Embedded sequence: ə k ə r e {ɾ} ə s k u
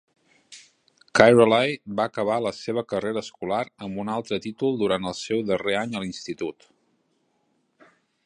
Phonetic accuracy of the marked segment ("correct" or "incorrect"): correct